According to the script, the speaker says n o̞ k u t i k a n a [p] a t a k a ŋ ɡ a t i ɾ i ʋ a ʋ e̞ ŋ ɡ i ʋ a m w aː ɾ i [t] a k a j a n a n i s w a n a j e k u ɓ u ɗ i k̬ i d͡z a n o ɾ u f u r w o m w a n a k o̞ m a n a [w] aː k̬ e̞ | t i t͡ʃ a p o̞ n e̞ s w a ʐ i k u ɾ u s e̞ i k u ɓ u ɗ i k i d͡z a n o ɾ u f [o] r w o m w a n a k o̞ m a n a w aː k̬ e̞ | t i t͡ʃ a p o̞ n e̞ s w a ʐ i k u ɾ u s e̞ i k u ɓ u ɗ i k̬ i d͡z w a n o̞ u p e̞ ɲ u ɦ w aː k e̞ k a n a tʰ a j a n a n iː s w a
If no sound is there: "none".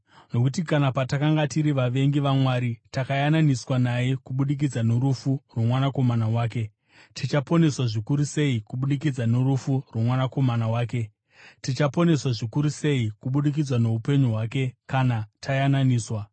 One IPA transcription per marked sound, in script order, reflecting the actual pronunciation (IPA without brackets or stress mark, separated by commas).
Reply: p, t, w, u